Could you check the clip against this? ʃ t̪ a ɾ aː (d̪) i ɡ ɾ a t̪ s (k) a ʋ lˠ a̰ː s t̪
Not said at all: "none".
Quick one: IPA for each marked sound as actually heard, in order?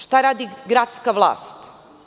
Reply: d̪, k

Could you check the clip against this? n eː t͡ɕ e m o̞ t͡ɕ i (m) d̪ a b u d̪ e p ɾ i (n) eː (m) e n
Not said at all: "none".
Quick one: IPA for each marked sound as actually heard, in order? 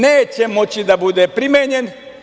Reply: none, m, ɲ

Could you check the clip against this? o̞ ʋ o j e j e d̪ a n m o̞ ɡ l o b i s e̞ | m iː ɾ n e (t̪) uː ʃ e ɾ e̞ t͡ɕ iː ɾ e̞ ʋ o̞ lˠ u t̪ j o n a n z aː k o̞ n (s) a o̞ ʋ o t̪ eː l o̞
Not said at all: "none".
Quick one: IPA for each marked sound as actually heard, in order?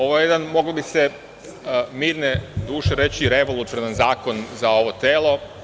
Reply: d̪, z

